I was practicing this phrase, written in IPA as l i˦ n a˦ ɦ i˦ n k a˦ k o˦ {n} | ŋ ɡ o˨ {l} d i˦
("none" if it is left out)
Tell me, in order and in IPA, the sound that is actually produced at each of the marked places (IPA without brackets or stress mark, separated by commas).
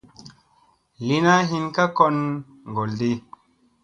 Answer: n, l